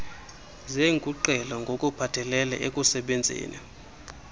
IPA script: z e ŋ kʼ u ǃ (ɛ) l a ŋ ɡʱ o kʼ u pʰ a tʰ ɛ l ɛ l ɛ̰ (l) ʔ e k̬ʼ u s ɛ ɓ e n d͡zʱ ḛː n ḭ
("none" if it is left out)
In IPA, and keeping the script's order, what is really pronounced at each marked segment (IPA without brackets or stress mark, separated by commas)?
ɛ, none